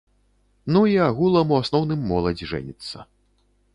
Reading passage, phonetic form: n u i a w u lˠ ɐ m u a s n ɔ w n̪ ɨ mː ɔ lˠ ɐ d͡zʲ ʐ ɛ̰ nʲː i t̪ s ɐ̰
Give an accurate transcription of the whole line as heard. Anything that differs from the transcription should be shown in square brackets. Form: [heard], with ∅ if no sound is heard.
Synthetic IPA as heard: n u i a [ɣ] u lˠ ɐ m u a s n ɔ w n̪ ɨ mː ɔ lˠ ɐ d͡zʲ ʐ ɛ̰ [nʲ] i t̪ [sː] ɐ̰